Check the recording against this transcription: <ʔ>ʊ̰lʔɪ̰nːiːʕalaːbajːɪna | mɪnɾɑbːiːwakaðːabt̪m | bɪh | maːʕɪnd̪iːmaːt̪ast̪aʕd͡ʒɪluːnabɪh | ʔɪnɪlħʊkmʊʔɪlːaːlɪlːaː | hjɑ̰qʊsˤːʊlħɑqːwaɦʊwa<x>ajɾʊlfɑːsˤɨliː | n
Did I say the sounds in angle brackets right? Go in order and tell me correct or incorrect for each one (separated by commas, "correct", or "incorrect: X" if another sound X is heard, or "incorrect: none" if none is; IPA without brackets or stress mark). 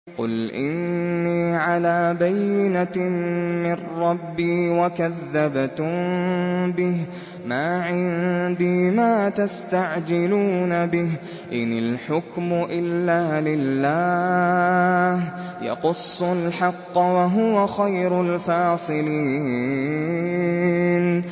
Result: incorrect: q, correct